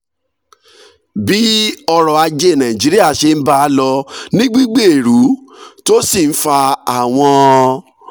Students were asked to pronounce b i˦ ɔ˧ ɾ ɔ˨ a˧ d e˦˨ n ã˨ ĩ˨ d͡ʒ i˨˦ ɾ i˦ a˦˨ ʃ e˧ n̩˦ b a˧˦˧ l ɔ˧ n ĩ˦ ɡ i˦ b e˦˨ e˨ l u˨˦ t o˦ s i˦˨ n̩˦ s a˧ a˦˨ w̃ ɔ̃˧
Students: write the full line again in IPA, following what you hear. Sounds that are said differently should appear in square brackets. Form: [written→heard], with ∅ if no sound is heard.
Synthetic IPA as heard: b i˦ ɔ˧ ɾ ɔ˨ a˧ [d→d͡ʒ] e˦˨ n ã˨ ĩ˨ d͡ʒ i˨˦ ɾ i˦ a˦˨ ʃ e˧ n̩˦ b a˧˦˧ l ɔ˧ n ĩ˦ [ɡ→ɡ͡b] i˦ [b→ɡ͡b] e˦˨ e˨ [l→ɾ] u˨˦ t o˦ s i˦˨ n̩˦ [s→f] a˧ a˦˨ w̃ ɔ̃˧

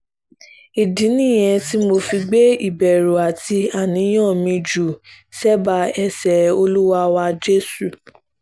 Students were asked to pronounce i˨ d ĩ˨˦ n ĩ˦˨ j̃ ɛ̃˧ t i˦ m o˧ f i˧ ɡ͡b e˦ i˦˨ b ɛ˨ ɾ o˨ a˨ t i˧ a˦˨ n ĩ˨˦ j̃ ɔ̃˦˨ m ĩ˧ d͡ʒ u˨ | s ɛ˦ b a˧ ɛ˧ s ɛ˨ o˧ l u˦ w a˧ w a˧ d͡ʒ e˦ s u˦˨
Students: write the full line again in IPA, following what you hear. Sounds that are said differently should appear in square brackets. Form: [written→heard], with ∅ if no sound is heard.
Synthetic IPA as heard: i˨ d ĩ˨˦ n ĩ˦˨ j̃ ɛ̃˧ t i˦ m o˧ f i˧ ɡ͡b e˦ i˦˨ b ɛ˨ ɾ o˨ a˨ t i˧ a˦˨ n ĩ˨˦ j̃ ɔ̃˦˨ m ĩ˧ d͡ʒ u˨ | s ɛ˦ b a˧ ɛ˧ s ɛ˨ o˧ l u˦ w a˧ w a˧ d͡ʒ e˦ s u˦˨

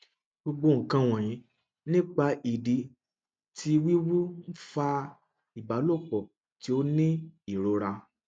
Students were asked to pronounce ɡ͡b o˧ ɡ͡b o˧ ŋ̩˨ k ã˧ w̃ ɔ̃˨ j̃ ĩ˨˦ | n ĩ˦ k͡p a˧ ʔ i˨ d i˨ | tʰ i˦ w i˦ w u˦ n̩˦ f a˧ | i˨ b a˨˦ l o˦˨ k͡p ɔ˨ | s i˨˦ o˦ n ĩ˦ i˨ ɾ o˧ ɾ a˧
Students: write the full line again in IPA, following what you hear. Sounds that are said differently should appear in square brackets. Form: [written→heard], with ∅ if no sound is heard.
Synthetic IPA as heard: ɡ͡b o˧ ɡ͡b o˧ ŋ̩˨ k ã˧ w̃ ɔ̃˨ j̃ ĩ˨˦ | n ĩ˦ k͡p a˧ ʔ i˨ d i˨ | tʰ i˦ w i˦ w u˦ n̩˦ f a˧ | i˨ b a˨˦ l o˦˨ k͡p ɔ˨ | [s→t] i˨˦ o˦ n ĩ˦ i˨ ɾ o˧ ɾ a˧

